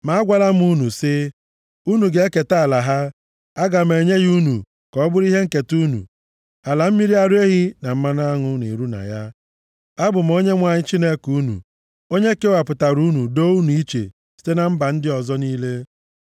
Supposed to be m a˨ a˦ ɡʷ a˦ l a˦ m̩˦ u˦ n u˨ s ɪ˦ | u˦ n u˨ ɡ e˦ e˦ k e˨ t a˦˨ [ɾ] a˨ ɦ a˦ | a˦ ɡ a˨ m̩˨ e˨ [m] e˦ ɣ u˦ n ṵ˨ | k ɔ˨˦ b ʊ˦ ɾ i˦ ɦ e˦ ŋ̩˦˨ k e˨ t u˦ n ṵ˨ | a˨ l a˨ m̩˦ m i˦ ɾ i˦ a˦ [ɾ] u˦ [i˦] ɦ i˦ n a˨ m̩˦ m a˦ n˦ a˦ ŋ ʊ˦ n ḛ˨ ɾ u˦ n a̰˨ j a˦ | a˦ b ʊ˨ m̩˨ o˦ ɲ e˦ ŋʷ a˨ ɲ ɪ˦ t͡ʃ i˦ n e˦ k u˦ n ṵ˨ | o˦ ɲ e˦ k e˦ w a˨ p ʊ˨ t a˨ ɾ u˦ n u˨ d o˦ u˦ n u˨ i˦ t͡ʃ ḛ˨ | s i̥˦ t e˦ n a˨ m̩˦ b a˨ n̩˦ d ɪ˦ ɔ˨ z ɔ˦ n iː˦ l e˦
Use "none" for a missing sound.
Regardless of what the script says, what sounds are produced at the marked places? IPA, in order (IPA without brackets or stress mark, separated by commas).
l, ɲ, ɾ, e˦